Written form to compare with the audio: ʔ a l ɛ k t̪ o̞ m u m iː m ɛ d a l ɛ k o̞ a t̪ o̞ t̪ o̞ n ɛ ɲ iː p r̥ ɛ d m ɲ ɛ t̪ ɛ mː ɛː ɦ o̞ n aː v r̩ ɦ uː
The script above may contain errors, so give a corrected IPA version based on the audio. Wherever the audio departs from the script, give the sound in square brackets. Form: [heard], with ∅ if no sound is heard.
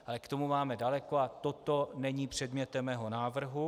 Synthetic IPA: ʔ a l ɛ k t̪ o̞ m u m [aː] m ɛ d a l ɛ k o̞ a t̪ o̞ t̪ o̞ n ɛ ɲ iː p r̥ ɛ d m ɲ ɛ t̪ ɛ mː ɛː ɦ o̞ n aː v r̩ ɦ [u]